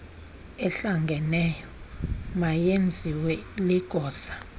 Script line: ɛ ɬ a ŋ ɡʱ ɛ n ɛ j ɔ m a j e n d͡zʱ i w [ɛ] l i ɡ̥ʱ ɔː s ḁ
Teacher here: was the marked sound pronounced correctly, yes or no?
yes